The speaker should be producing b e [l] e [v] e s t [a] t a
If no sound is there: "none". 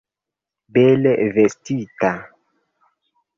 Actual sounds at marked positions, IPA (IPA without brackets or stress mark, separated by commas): l, v, i